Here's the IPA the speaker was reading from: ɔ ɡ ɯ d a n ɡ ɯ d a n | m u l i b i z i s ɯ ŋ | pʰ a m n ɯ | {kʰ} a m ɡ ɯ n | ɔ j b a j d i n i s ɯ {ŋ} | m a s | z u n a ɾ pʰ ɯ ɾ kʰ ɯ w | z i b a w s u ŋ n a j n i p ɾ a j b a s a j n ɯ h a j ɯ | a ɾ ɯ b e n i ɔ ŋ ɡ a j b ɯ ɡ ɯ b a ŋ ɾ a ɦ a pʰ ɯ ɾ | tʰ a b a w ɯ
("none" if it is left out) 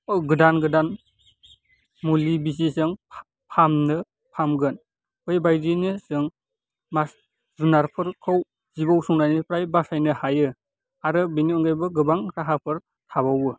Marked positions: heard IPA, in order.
pʰ, ŋ

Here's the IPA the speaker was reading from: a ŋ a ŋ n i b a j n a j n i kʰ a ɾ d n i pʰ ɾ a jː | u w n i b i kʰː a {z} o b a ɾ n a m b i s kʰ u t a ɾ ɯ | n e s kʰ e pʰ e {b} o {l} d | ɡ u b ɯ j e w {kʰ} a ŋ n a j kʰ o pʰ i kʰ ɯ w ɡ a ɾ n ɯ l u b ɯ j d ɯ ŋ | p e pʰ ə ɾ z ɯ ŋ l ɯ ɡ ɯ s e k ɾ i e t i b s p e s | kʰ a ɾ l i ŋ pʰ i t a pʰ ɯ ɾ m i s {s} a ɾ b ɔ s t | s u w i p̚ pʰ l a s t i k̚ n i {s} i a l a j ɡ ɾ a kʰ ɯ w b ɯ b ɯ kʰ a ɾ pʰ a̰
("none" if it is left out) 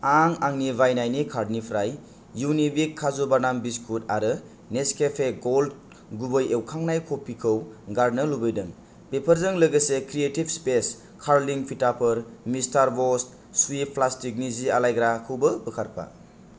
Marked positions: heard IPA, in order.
z, ɡ, l, kʰ, t, z

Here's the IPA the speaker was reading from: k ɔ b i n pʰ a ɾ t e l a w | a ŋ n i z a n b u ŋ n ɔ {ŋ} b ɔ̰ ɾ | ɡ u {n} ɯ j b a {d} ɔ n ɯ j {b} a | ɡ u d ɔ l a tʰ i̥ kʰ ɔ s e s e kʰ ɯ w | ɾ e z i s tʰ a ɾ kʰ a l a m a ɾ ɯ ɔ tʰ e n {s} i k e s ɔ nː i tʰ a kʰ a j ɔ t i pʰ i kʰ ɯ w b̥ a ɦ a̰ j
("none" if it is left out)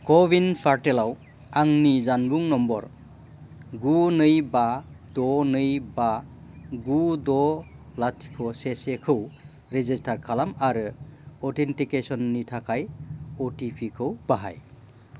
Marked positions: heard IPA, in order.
m, n, d, b, t

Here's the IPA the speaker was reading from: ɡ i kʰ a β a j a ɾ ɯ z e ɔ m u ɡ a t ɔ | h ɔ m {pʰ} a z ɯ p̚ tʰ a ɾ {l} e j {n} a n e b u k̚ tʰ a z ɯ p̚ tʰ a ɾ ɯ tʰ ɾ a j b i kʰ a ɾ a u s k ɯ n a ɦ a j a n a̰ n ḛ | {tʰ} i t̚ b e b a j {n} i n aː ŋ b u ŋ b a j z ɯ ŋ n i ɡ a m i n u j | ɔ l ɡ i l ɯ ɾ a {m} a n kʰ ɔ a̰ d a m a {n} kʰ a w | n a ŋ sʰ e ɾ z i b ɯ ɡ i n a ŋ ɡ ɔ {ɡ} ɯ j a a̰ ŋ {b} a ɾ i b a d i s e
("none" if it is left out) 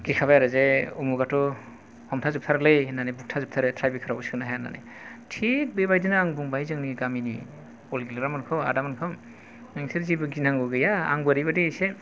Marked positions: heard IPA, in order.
tʰ, l, n, tʰ, d, m, n, ɡ, b

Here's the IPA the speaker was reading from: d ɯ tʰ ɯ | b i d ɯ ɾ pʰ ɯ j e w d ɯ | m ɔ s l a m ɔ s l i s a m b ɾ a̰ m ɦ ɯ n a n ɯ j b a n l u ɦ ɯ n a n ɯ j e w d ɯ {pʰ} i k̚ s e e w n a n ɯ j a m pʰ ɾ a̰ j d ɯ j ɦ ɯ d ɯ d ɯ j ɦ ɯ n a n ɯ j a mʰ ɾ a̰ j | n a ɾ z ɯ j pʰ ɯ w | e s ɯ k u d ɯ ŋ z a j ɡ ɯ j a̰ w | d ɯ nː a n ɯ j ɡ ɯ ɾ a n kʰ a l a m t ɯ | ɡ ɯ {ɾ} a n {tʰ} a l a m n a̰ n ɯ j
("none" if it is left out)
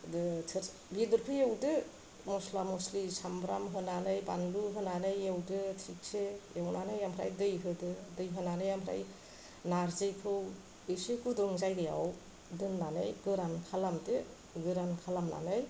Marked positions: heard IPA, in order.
tʰ, ɾ, kʰ

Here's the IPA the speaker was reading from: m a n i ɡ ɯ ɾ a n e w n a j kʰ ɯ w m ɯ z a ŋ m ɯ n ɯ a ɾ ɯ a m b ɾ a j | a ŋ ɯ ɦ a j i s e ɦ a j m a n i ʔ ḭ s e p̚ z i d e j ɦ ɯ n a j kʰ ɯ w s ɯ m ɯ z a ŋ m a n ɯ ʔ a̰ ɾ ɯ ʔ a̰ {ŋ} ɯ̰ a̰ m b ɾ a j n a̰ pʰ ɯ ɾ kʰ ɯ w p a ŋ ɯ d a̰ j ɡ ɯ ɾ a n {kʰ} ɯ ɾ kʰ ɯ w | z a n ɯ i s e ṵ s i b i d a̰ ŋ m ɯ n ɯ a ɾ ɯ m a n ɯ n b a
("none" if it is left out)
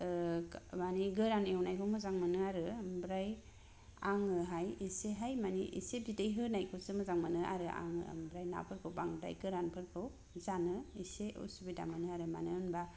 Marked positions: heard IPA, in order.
ŋ, pʰ

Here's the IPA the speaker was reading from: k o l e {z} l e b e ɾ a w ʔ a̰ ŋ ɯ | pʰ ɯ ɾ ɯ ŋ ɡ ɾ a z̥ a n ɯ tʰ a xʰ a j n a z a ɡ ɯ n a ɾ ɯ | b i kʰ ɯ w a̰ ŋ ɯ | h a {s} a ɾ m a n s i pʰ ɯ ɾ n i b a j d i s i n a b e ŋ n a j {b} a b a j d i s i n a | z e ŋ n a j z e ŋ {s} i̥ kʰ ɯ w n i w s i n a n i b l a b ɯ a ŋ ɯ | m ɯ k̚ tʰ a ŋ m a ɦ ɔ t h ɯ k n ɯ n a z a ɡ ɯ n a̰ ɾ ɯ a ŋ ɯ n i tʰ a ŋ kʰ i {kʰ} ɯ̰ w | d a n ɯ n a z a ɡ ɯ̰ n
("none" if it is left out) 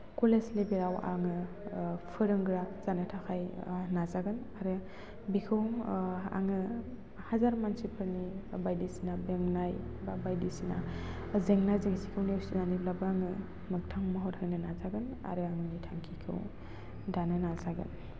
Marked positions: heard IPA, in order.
s, z, b, s, kʰ

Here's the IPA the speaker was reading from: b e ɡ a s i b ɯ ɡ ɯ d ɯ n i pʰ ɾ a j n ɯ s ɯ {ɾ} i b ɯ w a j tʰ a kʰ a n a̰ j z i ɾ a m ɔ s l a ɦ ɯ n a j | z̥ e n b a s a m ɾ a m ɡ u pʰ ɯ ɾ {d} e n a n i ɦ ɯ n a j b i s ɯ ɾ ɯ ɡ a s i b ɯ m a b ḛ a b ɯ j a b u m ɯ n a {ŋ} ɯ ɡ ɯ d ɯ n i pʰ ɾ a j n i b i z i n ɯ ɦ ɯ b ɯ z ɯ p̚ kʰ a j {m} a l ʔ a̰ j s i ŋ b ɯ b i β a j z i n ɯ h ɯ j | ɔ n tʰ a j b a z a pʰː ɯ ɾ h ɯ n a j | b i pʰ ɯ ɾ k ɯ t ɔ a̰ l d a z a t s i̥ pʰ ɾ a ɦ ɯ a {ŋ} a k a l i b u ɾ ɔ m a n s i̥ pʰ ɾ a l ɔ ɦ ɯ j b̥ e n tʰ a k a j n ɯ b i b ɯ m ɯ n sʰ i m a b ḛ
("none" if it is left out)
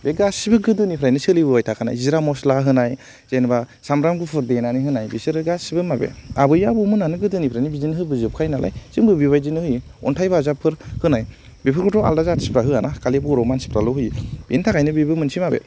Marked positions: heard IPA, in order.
l, d, n, n, n

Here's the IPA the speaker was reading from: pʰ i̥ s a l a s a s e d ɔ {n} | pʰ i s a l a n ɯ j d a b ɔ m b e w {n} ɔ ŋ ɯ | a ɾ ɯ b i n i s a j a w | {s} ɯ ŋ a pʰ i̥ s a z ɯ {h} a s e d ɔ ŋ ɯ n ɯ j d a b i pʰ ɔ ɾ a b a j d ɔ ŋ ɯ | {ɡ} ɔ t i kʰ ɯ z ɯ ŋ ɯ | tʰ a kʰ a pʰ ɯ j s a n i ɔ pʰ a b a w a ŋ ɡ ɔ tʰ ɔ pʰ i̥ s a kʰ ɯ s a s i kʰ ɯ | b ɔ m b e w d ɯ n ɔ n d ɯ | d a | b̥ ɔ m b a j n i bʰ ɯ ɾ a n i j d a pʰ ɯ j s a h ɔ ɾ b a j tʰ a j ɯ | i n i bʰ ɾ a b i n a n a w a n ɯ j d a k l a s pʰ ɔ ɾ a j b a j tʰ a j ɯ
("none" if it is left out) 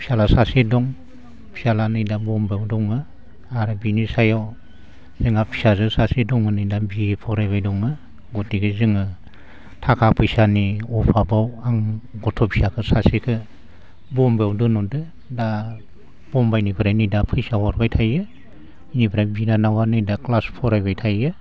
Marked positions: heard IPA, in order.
ŋ, d, z, s, ɡ

